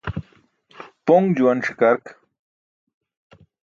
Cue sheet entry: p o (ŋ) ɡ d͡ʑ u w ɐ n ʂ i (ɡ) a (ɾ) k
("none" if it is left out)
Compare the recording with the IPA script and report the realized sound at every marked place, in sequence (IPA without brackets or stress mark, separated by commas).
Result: ŋ, k, ɾ